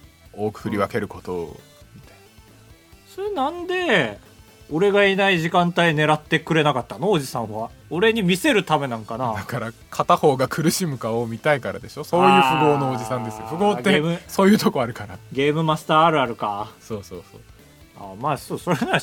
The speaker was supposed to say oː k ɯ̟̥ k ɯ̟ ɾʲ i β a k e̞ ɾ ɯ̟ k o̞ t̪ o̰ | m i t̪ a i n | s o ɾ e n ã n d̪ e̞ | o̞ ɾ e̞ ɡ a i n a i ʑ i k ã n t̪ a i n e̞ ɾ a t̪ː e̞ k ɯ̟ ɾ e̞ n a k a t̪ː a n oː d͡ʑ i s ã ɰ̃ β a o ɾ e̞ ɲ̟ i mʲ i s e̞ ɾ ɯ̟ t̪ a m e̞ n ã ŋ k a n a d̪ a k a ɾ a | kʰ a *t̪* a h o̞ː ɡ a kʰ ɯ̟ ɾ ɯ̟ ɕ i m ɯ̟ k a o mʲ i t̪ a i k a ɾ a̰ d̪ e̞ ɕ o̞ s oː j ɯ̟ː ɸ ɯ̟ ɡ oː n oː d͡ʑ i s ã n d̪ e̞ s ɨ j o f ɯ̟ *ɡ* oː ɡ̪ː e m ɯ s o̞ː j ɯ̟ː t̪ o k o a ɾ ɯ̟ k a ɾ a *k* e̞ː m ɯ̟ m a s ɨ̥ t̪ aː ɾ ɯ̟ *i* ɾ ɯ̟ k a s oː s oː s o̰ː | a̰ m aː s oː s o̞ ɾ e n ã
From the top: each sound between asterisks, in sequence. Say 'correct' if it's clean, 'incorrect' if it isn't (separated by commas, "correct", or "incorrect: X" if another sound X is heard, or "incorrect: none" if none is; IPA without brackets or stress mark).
correct, correct, incorrect: ɡ, incorrect: a